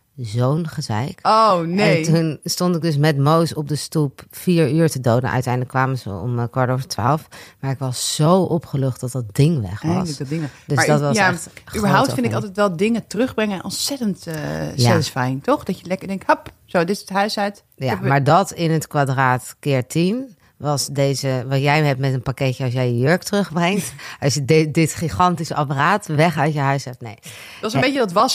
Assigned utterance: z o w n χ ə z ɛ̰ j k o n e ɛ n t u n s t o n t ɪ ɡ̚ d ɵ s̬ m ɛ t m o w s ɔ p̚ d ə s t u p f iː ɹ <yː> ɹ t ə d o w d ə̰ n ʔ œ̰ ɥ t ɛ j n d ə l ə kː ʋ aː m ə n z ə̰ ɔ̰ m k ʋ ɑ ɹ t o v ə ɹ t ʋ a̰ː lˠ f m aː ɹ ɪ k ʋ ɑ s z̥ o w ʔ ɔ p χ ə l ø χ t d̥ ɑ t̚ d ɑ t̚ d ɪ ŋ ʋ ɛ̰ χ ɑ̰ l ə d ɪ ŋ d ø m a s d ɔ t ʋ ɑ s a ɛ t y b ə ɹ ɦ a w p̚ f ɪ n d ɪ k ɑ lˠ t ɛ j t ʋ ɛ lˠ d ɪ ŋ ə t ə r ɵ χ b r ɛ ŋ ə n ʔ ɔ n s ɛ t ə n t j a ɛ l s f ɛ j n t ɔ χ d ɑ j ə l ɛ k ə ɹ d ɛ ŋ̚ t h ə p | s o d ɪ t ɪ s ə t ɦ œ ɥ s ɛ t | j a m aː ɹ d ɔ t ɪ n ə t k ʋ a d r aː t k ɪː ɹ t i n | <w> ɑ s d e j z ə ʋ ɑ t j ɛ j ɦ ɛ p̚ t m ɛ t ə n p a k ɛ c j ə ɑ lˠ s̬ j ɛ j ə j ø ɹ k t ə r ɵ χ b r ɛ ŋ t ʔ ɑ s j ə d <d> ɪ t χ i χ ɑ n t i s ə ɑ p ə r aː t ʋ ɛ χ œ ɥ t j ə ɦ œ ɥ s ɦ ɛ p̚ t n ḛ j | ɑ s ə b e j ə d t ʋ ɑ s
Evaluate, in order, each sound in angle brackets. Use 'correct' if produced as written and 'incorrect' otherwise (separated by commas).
correct, incorrect, correct